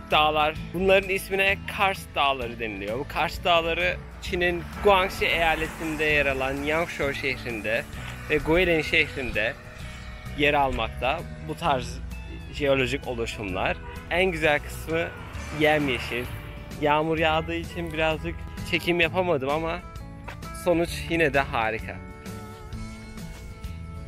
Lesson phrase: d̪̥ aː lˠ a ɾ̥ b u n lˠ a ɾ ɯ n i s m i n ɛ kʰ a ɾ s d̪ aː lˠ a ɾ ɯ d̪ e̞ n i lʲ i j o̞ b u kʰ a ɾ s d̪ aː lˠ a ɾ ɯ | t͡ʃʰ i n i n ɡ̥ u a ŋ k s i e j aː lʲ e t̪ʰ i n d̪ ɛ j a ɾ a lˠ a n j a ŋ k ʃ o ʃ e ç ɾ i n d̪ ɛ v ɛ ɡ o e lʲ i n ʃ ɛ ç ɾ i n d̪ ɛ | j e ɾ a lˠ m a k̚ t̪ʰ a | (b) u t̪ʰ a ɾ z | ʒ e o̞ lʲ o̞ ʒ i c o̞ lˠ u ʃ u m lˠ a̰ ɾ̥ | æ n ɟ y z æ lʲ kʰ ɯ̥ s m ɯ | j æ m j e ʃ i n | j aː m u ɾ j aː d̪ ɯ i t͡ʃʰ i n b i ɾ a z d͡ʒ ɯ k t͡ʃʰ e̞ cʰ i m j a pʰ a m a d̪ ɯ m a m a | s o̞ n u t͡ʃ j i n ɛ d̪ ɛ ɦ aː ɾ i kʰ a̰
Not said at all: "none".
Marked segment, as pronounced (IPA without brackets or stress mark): b